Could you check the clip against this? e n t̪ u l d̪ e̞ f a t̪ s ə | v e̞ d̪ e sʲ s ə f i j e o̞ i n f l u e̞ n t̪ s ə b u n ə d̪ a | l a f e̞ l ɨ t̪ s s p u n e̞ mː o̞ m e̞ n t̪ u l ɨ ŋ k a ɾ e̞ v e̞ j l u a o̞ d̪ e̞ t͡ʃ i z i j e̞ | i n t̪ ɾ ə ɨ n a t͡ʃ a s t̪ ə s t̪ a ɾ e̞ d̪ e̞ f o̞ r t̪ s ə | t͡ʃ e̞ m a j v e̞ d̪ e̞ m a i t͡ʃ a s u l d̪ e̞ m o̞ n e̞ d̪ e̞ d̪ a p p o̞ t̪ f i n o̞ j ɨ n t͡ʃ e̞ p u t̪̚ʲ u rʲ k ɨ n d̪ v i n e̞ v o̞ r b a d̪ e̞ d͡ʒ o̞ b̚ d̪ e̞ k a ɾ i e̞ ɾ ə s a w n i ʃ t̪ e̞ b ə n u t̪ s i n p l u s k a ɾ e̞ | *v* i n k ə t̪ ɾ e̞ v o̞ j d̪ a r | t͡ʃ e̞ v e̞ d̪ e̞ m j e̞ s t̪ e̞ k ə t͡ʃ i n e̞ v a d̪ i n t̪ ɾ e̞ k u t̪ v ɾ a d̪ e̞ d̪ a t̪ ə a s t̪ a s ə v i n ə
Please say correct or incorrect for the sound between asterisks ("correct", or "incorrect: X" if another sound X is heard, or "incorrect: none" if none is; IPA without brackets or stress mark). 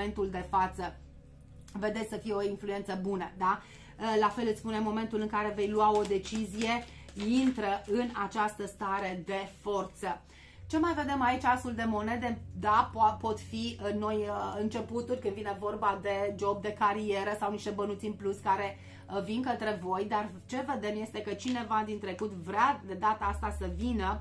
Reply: correct